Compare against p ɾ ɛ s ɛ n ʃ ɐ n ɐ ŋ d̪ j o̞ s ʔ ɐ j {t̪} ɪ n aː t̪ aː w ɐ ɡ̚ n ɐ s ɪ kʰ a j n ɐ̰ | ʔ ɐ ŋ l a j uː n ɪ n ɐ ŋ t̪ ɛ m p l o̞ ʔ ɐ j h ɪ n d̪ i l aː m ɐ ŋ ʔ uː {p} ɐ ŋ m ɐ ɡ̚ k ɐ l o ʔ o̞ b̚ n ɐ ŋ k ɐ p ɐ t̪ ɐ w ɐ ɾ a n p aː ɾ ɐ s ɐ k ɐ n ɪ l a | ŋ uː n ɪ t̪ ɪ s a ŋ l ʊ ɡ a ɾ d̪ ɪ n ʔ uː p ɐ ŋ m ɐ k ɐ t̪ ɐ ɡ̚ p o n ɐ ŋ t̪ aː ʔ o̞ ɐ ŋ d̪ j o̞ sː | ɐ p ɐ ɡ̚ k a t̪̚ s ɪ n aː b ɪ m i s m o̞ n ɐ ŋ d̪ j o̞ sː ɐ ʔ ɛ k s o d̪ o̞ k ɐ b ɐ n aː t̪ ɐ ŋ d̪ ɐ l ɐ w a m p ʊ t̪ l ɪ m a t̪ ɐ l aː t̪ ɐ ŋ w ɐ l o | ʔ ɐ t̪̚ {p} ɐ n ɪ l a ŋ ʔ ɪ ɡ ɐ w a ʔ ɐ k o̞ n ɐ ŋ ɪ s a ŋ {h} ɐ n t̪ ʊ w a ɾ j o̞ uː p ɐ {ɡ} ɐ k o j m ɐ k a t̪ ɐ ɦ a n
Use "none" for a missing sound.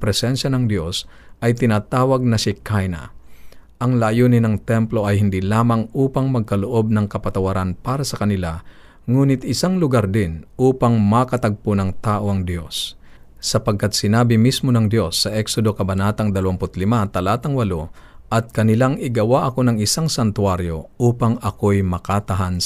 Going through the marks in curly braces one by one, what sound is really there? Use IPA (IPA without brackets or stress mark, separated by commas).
t̪, p, k, s, ŋ